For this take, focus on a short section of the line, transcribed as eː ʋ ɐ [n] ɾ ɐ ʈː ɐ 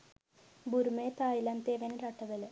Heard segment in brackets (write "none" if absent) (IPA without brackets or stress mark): n